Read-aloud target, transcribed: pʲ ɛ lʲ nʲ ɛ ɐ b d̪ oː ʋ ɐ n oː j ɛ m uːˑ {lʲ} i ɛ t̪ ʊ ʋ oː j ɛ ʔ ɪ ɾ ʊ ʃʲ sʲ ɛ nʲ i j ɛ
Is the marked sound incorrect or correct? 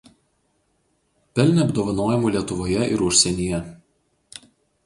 correct